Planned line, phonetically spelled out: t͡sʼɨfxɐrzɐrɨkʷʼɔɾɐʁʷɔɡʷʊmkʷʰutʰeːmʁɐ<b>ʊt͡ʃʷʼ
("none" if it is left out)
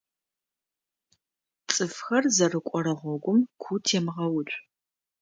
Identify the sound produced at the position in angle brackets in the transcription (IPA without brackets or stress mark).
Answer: w